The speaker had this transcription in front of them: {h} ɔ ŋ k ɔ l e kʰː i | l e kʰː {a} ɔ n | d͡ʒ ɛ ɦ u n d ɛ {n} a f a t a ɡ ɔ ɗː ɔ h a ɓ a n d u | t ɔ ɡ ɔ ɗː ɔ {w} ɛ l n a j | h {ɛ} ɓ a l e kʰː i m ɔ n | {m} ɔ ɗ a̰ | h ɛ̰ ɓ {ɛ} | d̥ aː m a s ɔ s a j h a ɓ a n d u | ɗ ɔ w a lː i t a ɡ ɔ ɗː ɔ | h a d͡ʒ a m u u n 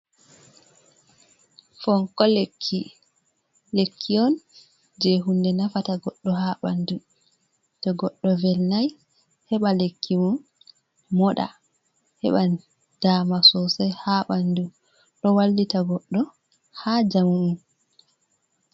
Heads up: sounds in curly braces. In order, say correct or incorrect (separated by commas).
incorrect, incorrect, correct, incorrect, correct, correct, incorrect